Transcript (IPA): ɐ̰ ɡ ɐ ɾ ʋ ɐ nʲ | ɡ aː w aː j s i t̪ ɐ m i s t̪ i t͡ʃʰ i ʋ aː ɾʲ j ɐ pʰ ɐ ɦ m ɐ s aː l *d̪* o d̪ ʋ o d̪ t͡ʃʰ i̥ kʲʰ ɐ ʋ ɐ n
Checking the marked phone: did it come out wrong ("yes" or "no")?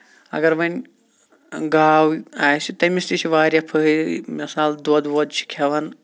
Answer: no